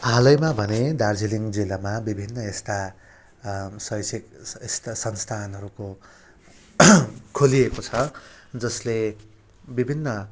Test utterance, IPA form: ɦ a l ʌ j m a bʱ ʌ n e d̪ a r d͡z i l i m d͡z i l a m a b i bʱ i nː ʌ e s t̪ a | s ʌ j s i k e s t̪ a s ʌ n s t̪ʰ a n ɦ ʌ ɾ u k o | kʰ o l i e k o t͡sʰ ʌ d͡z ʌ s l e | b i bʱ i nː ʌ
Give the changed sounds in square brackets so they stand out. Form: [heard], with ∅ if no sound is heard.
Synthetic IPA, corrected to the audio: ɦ a l ʌ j m a bʱ ʌ n e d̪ a r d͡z i l i [ŋ] d͡z i l a m a b i bʱ i nː ʌ e s t̪ a | s ʌ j s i k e s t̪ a s ʌ n s t̪ʰ a n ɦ ʌ ɾ u k o | kʰ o l i e k o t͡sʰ ʌ d͡z ʌ s l e | b i bʱ i nː ʌ